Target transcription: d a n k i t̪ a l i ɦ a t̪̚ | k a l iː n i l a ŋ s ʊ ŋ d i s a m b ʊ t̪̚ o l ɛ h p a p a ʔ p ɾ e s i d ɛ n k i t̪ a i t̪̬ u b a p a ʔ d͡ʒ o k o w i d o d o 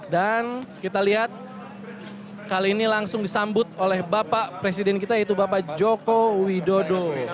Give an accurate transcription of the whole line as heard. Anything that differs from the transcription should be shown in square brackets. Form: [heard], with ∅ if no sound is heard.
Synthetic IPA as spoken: d a n k i t̪ a l i ɦ a t̪̚ | k a l iː n i l a ŋ s ʊ ŋ d i s a m b ʊ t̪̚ o l ɛ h [b] a p a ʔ p ɾ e s i d ɛ n k i t̪ a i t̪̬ u b a p a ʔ d͡ʒ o k o w i d o d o